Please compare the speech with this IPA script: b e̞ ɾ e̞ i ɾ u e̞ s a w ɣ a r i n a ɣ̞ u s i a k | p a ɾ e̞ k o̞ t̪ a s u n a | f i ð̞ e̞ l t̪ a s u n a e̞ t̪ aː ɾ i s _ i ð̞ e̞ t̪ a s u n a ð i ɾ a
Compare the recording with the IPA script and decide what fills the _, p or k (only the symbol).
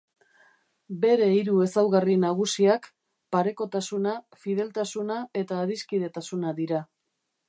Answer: k